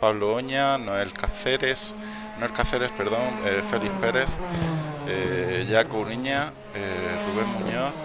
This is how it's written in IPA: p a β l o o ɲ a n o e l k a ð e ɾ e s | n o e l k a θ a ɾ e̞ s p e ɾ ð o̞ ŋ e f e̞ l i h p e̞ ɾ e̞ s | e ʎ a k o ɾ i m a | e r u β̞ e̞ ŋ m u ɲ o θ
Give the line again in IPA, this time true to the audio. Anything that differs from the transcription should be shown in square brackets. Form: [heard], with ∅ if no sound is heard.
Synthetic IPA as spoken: p a β l o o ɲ a n o e l k a [θ] e ɾ e s | n o e l k a θ [e] ɾ e̞ s p e ɾ ð o̞ ŋ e f e̞ l i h p e̞ ɾ e̞ [θ] | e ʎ a k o ɾ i [ɲ] a | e r u β̞ e̞ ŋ m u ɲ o θ